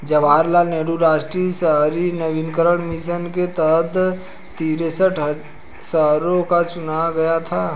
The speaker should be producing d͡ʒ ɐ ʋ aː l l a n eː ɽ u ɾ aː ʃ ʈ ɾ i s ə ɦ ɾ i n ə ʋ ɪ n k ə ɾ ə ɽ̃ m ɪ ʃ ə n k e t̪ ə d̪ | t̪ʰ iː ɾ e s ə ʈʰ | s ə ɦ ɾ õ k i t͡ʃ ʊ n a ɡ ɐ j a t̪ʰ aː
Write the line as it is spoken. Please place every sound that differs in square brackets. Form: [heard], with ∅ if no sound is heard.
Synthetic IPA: d͡ʒ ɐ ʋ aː [ɾ] l a n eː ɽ u ɾ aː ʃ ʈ ɾ i s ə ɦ ɾ i n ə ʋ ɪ n k ə ɾ ə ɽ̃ m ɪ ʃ ə n k e t̪ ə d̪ | [t̪] iː ɾ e s ə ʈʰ | s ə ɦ ɾ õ k [a] t͡ʃ ʊ n a ɡ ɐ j a t̪ʰ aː